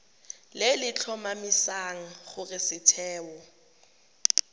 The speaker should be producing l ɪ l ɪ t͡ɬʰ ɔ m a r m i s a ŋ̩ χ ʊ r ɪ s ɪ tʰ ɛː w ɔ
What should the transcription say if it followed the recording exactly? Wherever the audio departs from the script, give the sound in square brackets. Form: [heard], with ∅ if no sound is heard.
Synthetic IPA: l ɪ l ɪ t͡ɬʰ ɔ m a [∅] m i s a ŋ̩ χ ʊ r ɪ s ɪ tʰ ɛː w ɔ